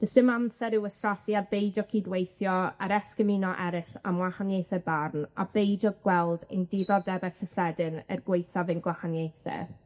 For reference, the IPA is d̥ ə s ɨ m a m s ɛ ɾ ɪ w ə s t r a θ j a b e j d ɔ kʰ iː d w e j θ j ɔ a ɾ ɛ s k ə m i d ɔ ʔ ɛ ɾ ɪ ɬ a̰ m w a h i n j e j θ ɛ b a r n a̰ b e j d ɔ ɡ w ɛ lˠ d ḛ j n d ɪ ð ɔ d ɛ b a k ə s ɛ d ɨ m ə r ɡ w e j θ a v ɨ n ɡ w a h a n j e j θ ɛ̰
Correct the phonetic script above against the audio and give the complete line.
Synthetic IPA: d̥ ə s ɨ m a m s ɛ ɾ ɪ w ə s t r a θ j a b e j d ɔ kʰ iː d w e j θ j ɔ a ɾ ɛ s k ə m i n ɔ ʔ ɛ ɾ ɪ ɬ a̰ m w a h a n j e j θ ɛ b a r n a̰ b e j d ɔ ɡ w ɛ lˠ d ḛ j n d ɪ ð ɔ d ɛ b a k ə s ɛ d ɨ n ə r ɡ w e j θ a v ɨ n ɡ w a h a n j e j θ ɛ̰